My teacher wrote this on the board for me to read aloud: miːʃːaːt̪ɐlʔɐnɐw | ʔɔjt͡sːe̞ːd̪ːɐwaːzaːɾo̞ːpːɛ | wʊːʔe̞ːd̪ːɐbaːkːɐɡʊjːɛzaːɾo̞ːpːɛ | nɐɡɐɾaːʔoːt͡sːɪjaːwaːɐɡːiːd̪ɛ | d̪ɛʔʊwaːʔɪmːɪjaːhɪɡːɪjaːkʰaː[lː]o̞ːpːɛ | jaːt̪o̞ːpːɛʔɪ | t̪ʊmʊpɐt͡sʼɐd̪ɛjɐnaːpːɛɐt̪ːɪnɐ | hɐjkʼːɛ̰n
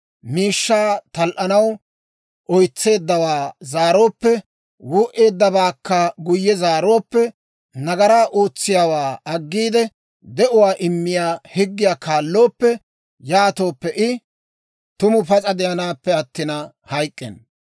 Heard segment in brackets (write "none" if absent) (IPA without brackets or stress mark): lː